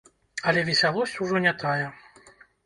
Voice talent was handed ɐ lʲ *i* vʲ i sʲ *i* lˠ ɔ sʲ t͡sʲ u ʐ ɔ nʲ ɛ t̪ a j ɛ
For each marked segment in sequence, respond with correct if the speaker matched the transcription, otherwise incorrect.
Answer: incorrect, incorrect

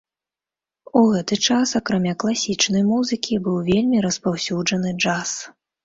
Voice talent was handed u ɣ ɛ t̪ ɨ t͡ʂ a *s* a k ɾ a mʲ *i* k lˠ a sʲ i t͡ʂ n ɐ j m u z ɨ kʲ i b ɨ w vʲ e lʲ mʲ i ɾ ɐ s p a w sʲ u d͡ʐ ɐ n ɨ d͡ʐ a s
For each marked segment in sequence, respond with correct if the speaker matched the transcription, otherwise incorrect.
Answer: correct, incorrect

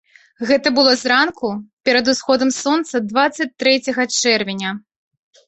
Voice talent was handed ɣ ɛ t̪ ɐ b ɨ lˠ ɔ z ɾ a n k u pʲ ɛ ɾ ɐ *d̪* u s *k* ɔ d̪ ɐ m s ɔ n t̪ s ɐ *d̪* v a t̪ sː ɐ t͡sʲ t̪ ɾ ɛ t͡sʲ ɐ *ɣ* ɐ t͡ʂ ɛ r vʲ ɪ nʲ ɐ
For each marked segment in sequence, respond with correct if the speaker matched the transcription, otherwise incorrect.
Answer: correct, incorrect, correct, correct

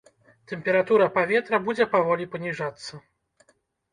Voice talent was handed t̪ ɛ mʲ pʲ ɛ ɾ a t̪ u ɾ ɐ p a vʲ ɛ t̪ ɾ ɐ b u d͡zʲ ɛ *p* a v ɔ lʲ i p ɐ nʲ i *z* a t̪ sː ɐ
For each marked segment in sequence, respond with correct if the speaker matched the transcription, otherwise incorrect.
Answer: correct, incorrect

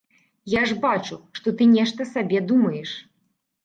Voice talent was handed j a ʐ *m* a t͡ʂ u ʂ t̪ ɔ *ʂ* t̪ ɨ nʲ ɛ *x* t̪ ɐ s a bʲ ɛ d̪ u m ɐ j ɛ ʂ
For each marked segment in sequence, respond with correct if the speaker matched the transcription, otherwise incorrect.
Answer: incorrect, incorrect, incorrect

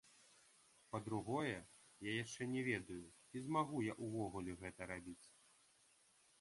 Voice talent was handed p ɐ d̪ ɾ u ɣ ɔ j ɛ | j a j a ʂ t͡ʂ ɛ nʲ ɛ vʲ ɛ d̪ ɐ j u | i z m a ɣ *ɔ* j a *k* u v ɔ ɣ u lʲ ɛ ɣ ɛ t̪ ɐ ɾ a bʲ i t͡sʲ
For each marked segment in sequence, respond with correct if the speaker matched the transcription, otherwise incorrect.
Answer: incorrect, incorrect

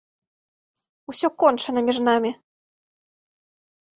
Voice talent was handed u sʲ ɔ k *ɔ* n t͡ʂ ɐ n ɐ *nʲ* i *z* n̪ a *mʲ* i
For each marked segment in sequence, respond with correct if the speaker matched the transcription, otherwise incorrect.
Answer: correct, incorrect, incorrect, correct

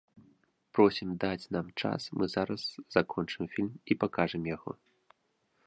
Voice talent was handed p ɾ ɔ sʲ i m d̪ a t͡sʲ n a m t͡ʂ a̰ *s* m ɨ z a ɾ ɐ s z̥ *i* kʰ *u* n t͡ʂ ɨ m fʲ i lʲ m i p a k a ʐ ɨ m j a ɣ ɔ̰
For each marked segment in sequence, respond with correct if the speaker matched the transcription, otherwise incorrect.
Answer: correct, incorrect, incorrect

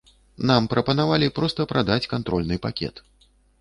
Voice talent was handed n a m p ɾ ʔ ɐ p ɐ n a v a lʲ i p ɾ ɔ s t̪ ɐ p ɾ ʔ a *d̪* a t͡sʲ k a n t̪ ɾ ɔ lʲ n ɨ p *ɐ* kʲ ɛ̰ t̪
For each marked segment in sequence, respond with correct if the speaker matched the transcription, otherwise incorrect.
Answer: correct, incorrect

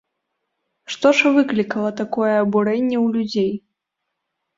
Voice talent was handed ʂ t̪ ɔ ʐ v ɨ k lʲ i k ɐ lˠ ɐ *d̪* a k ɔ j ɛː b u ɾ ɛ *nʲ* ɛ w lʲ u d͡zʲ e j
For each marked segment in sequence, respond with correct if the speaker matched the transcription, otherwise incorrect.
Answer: incorrect, incorrect

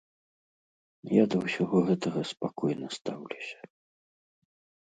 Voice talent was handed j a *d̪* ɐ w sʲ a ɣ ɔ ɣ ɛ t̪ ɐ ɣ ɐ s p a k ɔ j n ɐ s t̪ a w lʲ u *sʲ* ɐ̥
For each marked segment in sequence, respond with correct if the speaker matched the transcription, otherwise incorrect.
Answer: correct, correct

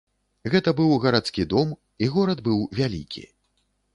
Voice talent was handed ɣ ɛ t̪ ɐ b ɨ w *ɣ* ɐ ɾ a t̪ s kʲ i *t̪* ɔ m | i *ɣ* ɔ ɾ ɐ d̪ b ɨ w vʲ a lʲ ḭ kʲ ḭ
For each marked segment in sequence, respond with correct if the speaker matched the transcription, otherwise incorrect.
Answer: correct, incorrect, correct

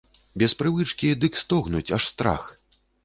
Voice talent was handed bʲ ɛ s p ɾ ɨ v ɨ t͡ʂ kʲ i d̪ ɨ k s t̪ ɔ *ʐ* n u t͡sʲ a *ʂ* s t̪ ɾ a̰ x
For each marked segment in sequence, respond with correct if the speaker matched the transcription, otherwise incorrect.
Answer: incorrect, correct

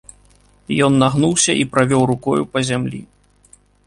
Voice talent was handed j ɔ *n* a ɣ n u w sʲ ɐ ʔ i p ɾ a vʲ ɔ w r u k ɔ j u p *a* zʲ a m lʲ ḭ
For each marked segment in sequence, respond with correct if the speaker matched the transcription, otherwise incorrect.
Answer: incorrect, incorrect

